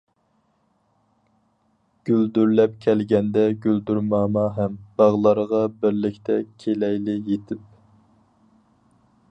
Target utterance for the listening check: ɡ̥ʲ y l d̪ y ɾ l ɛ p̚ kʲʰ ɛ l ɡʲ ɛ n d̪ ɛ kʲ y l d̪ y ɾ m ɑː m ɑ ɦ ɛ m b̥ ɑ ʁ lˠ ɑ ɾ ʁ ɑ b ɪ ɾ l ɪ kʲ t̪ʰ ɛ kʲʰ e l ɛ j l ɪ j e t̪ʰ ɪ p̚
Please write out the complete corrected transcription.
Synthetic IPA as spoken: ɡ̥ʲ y l d̪ y ɾ l ɛ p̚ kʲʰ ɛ l ɡʲ ɛ n d̪ ɛ ɡʲ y l d̪ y ɾ m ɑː m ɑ ɦ ɛ m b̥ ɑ ʁ lˠ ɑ ɾ ʁ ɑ b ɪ ɾ l ɪ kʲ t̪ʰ ɛ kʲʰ e l ɛ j l ɪ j e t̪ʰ ɪ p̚

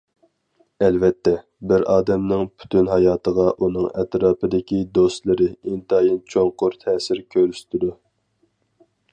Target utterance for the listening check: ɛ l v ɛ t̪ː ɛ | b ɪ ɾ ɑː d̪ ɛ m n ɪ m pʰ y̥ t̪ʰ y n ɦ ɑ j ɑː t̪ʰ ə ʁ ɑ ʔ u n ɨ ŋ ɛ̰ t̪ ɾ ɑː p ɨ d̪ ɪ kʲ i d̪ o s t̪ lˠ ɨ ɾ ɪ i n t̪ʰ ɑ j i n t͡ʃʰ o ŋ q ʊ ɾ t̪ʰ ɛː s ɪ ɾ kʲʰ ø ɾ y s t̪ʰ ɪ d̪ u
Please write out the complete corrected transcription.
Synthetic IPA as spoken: ɛ l v ɛ t̪ː ɛ | b ɪ ɾ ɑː d̪ ɛ m n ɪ ŋ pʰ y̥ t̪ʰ y n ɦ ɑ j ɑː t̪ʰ ə ʁ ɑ ʔ u n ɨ ŋ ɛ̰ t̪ ɾ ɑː p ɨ d̪ ɪ kʲ i d̪ o s t̪ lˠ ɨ ɾ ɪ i n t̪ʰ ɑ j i n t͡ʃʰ o ŋ q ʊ ɾ t̪ʰ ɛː s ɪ ɾ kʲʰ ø ɾ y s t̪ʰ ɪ d̪ u

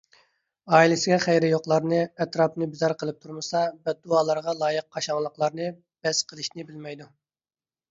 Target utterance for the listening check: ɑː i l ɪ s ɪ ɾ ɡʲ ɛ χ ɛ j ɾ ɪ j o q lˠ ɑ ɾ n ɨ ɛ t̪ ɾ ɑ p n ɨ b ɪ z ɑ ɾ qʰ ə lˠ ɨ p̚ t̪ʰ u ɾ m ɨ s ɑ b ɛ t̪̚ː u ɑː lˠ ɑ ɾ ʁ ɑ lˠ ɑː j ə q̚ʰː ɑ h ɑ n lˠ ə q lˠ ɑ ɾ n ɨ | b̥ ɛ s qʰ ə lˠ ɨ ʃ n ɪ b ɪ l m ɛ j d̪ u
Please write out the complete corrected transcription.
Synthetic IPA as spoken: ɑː i l ɪ s ɪ ɡʲ ɛ χ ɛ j ɾ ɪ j o q lˠ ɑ ɾ n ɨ ɛ t̪ ɾ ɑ p n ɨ b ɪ z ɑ ɾ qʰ ə lˠ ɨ p̚ t̪ʰ u ɾ m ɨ s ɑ b ɛ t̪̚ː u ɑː lˠ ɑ ɾ ʁ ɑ lˠ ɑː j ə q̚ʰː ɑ ʃ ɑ ŋ lˠ ə q lˠ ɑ ɾ n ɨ | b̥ ɛ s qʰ ə lˠ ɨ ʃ n ɪ b ɪ l m ɛ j d̪ u

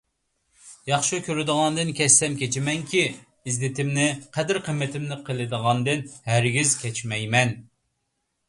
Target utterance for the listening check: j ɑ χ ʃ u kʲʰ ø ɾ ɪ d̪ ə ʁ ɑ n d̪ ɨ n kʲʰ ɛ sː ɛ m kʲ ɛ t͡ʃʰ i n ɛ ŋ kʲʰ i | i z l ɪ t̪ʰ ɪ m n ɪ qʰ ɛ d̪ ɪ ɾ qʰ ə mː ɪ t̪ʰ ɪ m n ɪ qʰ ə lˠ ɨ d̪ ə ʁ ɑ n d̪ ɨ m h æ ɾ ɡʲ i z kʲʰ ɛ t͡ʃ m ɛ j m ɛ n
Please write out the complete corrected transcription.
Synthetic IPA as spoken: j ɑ χ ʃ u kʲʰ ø ɾ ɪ d̪ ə ʁ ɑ n d̪ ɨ n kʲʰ ɛ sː ɛ m kʲ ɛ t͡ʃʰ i m ɛ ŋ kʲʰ i | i z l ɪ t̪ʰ ɪ m n ɪ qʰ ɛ d̪ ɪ ɾ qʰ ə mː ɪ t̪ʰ ɪ m n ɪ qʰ ə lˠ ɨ d̪ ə ʁ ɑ n d̪ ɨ n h æ ɾ ɡʲ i z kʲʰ ɛ t͡ʃ m ɛ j m ɛ n

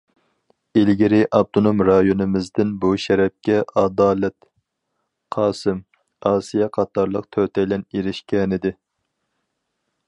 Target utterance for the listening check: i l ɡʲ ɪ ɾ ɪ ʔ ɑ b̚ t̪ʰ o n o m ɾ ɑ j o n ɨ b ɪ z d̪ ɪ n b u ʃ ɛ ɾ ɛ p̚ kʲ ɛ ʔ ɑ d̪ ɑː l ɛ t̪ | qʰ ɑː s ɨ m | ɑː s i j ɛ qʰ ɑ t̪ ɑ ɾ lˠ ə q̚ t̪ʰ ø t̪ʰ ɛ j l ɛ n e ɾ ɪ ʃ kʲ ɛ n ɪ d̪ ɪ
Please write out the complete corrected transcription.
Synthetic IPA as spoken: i l ɡʲ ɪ ɾ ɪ ʔ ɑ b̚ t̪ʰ o n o m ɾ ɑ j o n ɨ m ɪ z d̪ ɪ n b u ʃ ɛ ɾ ɛ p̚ kʲ ɛ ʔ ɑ d̪ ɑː l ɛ t̪ | qʰ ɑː s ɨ m | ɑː s i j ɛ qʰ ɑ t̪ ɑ ɾ lˠ ə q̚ t̪ʰ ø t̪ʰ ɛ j l ɛ n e ɾ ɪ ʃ kʲ ɛ n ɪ d̪ ɪ

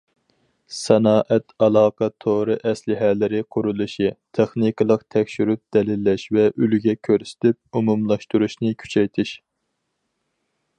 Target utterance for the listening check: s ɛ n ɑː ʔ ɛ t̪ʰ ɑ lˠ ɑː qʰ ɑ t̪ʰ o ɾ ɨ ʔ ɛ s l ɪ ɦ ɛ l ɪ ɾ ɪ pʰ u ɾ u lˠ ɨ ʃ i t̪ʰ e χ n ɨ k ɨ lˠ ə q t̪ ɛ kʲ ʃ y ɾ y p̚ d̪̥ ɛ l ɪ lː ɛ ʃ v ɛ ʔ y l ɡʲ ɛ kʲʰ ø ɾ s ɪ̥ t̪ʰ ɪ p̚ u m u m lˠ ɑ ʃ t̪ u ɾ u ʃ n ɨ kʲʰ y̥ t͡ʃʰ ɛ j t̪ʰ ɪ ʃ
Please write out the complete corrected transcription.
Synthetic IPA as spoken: s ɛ n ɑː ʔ ɛ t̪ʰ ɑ lˠ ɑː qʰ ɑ t̪ʰ o ɾ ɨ ʔ ɛ s l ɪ ɦ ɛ l ɪ ɾ ɪ qʰ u ɾ u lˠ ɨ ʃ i t̪ʰ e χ n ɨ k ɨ lˠ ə q t̪ʰ ɛ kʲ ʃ y ɾ y p̚ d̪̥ ɛ l ɪ lː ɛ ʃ v ɛ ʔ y l ɡʲ ɛ kʲʰ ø ɾ s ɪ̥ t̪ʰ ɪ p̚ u m u m lˠ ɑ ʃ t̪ u ɾ u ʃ n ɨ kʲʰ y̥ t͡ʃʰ ɛ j t̪ʰ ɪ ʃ

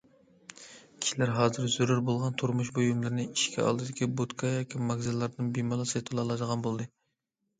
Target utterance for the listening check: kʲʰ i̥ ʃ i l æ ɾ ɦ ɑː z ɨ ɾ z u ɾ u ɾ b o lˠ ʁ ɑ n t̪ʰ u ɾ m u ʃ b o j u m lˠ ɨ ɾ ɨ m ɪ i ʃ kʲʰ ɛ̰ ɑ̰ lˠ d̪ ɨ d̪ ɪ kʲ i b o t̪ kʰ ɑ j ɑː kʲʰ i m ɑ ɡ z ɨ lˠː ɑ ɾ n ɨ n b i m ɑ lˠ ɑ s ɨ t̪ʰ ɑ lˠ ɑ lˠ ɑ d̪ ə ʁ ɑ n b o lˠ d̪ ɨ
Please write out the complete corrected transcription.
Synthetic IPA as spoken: kʲʰ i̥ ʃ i l æ ɾ ɦ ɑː z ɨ ɾ z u ɾ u ɾ b o lˠ ʁ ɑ n t̪ʰ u ɾ m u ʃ b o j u m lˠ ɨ ɾ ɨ n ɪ i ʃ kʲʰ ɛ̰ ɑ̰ lˠ d̪ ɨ d̪ ɪ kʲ i b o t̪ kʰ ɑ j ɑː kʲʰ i m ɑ ɡ z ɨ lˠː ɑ ɾ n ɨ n b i m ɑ lˠ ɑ s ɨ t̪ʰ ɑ lˠ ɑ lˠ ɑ d̪ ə ʁ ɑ n b o lˠ d̪ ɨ

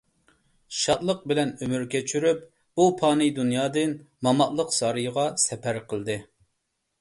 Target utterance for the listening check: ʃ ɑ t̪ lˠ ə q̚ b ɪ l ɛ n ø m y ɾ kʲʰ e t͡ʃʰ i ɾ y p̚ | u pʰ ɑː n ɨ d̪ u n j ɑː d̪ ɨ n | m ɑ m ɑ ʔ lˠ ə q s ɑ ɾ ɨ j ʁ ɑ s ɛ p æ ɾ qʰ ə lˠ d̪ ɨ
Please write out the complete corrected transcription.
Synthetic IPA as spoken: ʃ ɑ t̪ lˠ ə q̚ b ɪ l ɛ n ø m y ɾ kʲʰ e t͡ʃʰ y ɾ y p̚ | u pʰ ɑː n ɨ d̪ u n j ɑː d̪ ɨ n | m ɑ m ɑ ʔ lˠ ə q s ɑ ɾ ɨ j ʁ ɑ s ɛ p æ ɾ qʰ ə lˠ d̪ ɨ

